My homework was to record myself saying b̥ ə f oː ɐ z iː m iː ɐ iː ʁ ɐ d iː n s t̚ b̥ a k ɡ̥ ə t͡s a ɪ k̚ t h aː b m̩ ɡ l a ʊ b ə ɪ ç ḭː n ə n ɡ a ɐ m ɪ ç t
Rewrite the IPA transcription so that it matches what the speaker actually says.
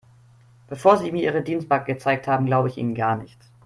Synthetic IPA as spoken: b̥ ə f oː ɐ z iː m iː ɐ iː ʁ ə d iː n s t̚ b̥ a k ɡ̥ ə t͡s a ɪ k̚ t h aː b m̩ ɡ l a ʊ b ə ɪ ç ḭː n ə n ɡ a ɐ n ɪ ç t